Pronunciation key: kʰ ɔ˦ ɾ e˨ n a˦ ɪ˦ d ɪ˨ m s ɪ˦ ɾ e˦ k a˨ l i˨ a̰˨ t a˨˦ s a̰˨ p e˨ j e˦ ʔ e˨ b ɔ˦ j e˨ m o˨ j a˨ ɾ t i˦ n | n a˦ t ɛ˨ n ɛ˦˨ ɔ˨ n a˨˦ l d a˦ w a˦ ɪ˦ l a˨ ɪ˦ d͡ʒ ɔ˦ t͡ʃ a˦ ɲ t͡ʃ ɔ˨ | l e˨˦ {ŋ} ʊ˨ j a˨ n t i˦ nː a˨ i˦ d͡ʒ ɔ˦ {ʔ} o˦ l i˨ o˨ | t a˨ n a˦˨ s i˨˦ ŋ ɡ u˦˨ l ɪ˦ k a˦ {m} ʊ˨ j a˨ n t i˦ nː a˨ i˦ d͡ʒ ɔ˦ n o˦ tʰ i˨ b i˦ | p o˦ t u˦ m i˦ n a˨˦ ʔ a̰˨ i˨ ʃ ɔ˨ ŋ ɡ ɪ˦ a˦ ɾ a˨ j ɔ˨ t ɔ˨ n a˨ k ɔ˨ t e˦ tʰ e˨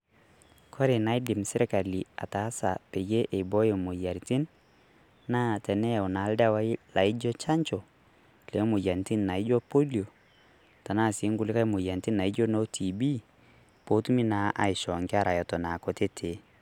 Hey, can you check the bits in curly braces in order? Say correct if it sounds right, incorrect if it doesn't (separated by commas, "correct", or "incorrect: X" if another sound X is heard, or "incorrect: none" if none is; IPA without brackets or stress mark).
incorrect: m, incorrect: p, correct